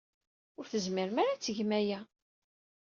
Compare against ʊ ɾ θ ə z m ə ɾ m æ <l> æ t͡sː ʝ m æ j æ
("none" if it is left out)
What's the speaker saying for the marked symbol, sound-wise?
ɾ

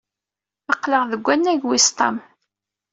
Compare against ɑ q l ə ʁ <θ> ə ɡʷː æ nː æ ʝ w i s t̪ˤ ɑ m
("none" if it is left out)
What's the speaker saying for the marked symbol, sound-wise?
ð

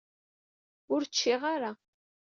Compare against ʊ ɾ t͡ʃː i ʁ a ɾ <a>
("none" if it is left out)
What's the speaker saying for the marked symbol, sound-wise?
a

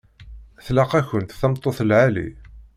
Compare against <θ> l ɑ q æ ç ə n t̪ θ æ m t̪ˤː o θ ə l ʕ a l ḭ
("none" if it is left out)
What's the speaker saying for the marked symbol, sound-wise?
θ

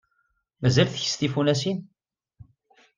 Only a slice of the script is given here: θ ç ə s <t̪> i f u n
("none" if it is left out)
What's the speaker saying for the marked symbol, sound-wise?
t̪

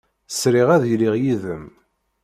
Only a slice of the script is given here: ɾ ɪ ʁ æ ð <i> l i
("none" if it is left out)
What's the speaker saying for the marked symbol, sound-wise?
j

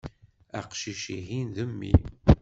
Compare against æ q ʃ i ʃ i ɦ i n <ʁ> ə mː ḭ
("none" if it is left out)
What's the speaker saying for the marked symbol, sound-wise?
ð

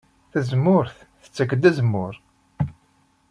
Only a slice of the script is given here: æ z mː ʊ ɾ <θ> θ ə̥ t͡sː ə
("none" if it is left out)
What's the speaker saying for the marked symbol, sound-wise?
θ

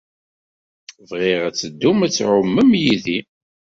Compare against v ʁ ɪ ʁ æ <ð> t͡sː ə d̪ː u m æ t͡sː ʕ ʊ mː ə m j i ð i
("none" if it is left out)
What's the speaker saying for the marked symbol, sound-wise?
none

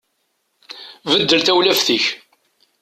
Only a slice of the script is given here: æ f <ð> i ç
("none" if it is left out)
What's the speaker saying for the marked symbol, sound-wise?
θ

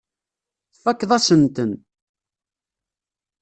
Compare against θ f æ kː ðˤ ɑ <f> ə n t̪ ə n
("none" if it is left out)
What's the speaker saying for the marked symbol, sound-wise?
s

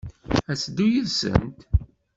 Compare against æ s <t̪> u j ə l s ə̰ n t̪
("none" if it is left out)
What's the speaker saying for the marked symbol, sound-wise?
d̪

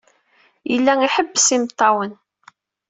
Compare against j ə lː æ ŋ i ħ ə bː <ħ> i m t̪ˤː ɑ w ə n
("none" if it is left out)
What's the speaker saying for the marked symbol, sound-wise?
s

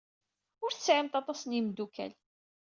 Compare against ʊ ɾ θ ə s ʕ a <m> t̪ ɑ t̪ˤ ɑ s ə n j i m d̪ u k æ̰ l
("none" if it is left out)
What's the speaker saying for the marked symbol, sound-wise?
m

